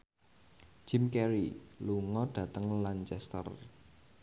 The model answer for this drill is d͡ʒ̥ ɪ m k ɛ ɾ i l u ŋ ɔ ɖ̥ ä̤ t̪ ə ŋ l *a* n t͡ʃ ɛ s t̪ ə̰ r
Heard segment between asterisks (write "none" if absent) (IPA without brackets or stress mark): a